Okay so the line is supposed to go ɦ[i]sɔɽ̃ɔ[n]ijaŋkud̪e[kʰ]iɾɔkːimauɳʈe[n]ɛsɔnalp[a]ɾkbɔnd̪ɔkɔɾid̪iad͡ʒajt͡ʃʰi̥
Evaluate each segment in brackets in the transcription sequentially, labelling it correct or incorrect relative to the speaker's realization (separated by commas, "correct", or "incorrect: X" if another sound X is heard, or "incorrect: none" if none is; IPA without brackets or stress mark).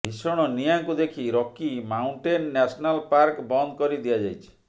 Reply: correct, correct, correct, incorrect: nː, correct